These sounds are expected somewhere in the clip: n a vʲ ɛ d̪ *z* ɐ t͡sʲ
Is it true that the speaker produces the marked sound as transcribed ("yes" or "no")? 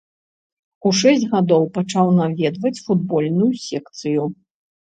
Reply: no